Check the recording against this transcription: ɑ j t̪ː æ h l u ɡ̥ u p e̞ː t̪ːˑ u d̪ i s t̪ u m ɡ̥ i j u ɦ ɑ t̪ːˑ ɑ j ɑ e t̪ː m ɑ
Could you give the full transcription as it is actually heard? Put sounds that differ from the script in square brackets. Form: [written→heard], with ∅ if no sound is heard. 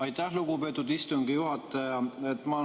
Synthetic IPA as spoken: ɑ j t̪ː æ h l u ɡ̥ u p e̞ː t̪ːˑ u d̪ i s t̪ u [m→ŋ] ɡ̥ i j u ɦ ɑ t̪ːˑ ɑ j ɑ e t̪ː m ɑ